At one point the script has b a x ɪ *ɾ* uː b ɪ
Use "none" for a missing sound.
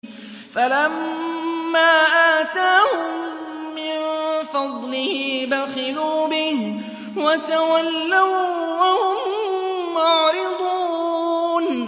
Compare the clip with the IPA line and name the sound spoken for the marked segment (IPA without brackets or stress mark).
l